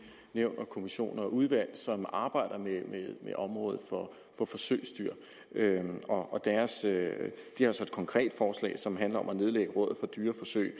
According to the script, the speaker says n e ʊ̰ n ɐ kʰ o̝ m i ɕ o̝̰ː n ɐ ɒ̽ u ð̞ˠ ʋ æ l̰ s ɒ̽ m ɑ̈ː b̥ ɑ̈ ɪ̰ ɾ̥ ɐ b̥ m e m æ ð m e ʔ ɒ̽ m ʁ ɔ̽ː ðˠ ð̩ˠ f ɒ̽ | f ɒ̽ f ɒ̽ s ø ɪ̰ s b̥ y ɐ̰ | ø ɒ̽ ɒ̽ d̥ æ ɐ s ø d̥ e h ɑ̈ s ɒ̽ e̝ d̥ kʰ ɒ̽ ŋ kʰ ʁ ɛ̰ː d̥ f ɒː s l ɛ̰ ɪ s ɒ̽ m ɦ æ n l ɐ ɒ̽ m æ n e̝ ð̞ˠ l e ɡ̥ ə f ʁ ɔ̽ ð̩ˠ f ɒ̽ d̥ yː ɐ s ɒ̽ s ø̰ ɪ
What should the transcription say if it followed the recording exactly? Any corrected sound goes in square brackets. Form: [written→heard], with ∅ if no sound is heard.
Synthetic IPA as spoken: n e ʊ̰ n ɐ kʰ o̝ m i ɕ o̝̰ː n ɐ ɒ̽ u ð̞ˠ ʋ æ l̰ s ɒ̽ m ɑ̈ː b̥ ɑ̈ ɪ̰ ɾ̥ ɐ [b̥→∅] m e m [æ→e] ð m e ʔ ɒ̽ m ʁ ɔ̽ː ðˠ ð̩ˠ f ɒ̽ | f ɒ̽ f ɒ̽ s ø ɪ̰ s [b̥→d̥] y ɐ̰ | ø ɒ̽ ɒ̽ d̥ æ ɐ s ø d̥ [e→i] h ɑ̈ s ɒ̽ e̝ d̥ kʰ ɒ̽ ŋ kʰ ʁ ɛ̰ː d̥ f ɒː s l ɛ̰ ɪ s ɒ̽ m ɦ æ n l ɐ ɒ̽ m æ n e̝ ð̞ˠ l e ɡ̥ ə [f→∅] ʁ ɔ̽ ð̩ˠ f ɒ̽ d̥ yː ɐ [s→f] ɒ̽ s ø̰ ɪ